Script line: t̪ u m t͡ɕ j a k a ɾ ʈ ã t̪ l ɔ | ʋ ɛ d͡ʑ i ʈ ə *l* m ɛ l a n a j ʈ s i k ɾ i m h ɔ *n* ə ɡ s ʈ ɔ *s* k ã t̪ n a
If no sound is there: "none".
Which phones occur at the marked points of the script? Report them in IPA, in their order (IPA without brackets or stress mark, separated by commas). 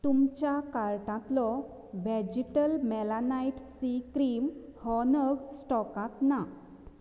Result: l, n, none